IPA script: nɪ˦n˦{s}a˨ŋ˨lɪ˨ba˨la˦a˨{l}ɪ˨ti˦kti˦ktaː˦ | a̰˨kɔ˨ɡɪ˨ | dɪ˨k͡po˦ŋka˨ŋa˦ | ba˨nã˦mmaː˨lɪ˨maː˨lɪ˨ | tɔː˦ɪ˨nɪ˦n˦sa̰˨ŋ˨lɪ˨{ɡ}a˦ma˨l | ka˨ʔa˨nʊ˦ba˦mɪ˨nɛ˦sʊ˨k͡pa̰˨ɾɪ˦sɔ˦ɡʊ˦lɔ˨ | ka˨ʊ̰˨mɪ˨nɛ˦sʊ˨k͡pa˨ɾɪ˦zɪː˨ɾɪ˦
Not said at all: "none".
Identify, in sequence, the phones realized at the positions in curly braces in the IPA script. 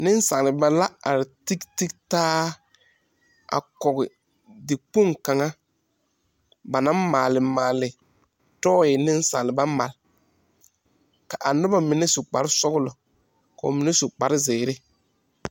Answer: s, ɾ, b

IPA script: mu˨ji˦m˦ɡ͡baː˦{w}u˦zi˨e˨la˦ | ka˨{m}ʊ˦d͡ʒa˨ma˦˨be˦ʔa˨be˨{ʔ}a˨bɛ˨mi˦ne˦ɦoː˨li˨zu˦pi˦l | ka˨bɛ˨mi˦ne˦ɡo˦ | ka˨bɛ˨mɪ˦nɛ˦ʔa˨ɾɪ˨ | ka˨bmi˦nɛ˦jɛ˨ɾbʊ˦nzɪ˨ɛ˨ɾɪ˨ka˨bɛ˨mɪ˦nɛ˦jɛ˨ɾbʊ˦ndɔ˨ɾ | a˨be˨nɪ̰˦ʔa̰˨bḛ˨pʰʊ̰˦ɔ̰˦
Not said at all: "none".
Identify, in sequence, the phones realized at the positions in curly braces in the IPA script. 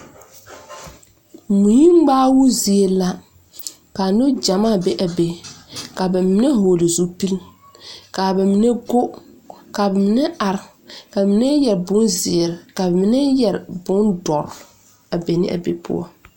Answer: w, n, k

